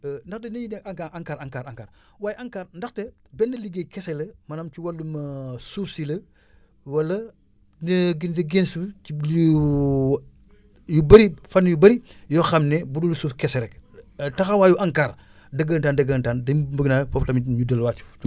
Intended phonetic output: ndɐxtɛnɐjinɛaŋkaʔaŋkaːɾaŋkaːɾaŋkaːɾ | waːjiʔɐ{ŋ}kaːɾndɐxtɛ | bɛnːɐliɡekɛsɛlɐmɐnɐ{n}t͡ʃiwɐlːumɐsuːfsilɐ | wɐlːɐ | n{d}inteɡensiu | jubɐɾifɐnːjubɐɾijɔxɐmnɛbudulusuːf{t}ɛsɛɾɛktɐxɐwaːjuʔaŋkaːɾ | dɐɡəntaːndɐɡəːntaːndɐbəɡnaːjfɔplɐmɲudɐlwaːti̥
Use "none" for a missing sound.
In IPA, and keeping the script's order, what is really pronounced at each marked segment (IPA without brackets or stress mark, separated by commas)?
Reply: ŋ, m, ɡ, k